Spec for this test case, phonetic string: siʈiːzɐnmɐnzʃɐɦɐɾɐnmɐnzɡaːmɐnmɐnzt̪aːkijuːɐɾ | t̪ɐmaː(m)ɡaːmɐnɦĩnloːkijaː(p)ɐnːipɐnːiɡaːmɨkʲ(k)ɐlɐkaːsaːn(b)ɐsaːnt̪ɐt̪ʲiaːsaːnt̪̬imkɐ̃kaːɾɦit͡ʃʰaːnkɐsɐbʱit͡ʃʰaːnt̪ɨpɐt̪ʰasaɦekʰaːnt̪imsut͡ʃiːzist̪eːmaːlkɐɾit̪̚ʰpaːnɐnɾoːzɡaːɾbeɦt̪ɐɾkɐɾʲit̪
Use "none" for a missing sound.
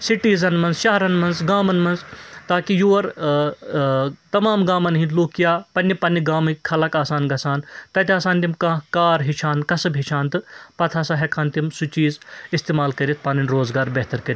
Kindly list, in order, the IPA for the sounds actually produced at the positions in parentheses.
m, p, kʰ, ɡ

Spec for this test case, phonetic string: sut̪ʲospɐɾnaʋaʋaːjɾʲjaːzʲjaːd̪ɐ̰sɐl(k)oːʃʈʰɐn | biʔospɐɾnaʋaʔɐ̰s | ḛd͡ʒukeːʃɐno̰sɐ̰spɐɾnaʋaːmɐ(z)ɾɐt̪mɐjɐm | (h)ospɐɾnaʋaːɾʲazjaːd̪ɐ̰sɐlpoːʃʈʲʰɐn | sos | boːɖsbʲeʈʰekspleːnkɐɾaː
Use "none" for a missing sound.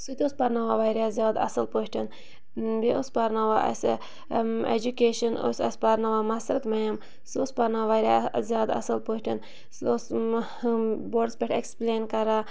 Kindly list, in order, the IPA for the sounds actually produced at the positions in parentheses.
p, s, s

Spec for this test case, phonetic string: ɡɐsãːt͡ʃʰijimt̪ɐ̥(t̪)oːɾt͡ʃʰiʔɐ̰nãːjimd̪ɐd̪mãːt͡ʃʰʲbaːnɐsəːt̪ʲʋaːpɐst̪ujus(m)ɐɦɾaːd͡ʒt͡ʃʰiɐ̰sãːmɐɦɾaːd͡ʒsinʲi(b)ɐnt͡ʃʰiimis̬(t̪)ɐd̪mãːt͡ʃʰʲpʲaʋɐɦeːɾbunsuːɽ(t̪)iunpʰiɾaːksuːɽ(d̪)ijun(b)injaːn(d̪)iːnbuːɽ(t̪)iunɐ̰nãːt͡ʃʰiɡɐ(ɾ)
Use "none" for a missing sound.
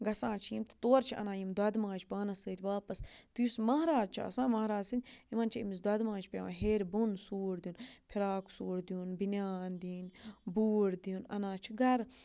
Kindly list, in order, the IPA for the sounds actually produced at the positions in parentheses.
t̪, m, m, d̪, d̪, d̪, b, d̪, d̪, ɾ

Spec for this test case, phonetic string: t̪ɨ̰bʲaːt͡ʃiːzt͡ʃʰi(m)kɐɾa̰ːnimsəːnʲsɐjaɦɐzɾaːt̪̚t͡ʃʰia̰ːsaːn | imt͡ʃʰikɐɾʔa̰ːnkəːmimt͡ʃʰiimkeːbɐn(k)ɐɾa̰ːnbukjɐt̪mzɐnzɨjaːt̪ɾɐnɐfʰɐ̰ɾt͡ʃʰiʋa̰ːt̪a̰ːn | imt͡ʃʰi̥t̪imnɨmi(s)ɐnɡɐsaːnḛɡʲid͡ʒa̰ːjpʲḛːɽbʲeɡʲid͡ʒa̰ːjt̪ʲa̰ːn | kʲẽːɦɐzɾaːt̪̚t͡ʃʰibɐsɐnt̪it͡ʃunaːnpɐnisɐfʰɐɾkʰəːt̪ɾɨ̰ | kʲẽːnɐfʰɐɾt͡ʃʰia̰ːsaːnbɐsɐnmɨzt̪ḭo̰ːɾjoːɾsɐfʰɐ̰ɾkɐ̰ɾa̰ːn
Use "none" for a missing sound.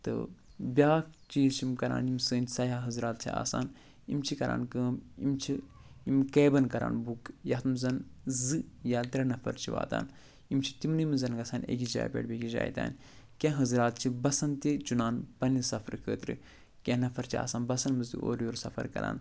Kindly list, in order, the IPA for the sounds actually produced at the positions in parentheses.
m, k, z

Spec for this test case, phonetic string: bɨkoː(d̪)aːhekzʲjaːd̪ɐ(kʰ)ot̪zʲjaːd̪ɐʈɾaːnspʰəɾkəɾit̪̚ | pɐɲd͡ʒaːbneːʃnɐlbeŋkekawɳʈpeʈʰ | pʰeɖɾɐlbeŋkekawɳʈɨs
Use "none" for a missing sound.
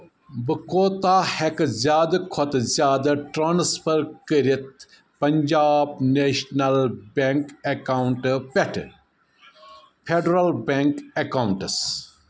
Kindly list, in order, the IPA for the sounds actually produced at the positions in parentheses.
t̪, kʰ

